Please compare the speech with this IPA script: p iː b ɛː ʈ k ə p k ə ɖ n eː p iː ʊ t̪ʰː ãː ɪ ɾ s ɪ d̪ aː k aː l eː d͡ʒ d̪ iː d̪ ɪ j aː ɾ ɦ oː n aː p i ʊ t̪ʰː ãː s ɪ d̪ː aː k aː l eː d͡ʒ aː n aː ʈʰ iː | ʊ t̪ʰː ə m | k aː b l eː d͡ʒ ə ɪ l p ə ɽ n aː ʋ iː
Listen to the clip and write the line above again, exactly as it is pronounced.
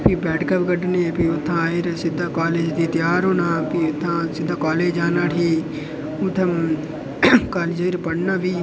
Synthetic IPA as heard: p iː b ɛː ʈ k ə p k ə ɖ n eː p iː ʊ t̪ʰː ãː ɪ ɾ s ɪ d̪ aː k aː l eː d͡ʒ d̪ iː t̪ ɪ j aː ɾ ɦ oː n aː p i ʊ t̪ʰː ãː s ɪ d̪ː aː k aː l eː d͡ʒ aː n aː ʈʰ iː | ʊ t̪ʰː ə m | k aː l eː d͡ʒ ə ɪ ɾ p ə ɽ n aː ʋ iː

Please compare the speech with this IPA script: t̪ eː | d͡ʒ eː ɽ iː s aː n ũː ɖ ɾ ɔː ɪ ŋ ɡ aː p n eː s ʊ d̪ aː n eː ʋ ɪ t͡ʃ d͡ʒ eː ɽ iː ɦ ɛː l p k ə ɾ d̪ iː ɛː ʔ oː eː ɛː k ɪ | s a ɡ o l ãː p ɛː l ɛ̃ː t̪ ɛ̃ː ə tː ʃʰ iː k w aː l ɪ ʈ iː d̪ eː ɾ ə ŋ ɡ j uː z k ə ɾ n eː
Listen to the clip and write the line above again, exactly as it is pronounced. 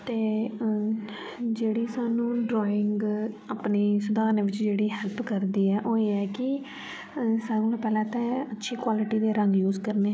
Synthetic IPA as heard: t̪ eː | d͡ʒ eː ɽ iː s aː n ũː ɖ ɾ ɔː ɪ ŋ ɡ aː p n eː s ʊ d̪ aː n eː ʋ ɪ t͡ʃ d͡ʒ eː ɽ iː ɦ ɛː l p k ə ɾ d̪ iː ɛː ʔ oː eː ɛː k ɪ | s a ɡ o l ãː p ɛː l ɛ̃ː t̪ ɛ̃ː ə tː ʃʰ iː k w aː l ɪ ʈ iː d̪ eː ɾ ə ŋ ɡ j uː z k ə ɾ n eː

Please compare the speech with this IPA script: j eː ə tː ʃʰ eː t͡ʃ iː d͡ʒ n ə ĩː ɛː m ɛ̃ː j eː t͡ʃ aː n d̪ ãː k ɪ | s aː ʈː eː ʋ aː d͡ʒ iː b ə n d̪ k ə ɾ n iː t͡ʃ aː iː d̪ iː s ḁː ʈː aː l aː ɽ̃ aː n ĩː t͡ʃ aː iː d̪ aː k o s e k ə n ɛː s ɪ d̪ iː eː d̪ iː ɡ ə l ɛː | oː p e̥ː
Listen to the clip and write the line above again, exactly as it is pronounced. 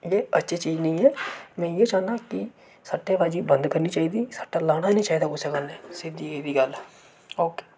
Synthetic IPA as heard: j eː ə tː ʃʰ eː t͡ʃ iː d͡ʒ n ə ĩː ɛː m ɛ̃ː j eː t͡ʃ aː n d̪ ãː k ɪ | s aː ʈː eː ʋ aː d͡ʒ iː b ə n d̪ k ə ɾ n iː t͡ʃ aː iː d̪ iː s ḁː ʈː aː l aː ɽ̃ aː n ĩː t͡ʃ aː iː d̪ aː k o s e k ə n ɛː s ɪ d̪ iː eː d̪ iː ɡ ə l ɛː | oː k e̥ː

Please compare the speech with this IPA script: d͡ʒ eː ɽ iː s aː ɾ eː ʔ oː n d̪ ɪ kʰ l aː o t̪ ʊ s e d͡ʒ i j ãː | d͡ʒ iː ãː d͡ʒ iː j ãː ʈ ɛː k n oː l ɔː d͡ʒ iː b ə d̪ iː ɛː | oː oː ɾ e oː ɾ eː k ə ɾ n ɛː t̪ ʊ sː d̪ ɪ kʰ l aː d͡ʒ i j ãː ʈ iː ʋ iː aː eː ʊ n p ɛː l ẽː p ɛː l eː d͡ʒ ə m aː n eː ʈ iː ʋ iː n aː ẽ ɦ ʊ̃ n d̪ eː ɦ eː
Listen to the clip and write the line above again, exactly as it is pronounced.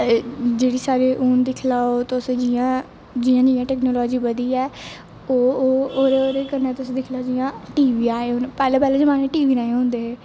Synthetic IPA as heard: d͡ʒ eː ɽ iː s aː ɾ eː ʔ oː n d̪ ɪ kʰ l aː o t̪ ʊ s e d͡ʒ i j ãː | d͡ʒ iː ãː d͡ʒ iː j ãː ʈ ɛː k n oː l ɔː d͡ʒ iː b ə d̪ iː ɛː | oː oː ɾ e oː ɾ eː k ə ɾ n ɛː t̪ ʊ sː d̪ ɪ kʰ l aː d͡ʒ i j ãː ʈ iː ʋ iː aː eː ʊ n p ɛː l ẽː p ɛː l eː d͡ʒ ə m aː n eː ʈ iː ʋ iː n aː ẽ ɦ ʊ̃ n d̪ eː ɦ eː

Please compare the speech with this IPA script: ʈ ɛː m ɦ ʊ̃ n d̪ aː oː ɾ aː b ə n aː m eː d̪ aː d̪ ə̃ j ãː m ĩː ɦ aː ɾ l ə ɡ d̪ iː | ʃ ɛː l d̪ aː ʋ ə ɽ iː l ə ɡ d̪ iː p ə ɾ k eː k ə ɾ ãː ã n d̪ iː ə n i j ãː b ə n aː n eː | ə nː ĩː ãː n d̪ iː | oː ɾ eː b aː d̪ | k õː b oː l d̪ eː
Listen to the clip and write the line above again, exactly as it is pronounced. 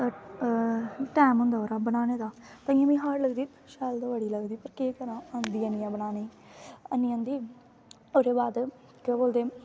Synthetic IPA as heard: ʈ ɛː m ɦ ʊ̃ n d̪ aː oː ɾ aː b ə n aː n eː d̪ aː t̪ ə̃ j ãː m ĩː ɦ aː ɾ l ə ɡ d̪ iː | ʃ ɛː l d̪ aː ʋ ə ɽ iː l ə ɡ d̪ iː p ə ɾ k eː k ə ɾ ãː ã n d̪ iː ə n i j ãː b ə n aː n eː | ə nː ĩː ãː n d̪ iː | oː ɾ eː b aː d̪ | k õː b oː l d̪ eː

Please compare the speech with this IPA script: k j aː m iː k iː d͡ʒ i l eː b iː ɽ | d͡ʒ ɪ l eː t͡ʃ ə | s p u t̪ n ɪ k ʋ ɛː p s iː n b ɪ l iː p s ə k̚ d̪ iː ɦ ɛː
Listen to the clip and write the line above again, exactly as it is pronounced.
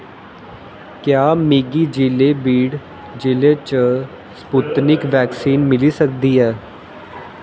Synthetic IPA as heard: k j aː m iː ɡ iː d͡ʒ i l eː b iː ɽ | d͡ʒ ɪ l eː t͡ʃ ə | s p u t̪ n ɪ k ʋ ɛː k s iː n m ɪ l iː s ə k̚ d̪ iː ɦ ɛː

